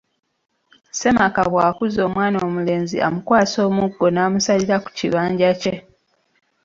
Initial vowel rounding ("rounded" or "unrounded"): unrounded